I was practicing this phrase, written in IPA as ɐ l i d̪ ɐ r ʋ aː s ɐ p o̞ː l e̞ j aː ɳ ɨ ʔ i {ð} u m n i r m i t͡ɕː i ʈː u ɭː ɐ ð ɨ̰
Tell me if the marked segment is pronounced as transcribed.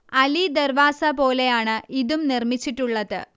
yes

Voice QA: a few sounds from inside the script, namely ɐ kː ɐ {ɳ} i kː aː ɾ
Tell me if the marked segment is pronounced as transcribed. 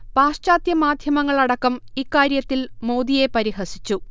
no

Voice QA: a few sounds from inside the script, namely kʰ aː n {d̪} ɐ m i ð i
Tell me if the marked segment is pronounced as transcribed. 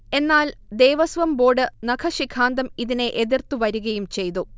yes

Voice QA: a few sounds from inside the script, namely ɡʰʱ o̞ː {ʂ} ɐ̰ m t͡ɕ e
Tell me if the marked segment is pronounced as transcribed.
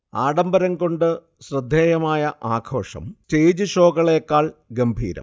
yes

